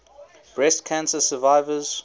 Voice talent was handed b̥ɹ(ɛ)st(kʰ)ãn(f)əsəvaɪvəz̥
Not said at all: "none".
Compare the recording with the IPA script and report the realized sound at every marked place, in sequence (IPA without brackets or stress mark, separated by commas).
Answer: ɛ, kʰ, s